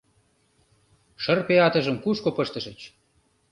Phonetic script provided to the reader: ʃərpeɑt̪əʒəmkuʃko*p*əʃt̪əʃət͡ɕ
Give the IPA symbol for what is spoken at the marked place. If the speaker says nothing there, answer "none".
p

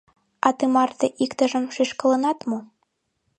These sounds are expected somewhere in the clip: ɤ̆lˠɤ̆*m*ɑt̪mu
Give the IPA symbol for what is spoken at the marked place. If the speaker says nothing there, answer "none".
n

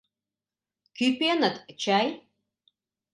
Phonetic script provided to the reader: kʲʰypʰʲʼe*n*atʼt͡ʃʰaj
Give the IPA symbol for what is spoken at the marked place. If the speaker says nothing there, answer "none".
n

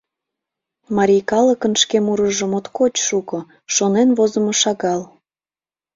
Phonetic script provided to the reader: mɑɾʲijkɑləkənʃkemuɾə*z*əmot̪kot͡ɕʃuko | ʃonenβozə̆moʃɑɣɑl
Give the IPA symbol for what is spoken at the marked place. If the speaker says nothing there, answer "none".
ʒ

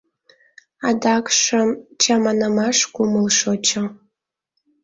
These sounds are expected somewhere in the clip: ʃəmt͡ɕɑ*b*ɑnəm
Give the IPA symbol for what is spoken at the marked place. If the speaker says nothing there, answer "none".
m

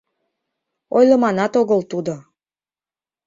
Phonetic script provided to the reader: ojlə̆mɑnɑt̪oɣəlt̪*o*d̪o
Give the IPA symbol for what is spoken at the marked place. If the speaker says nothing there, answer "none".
u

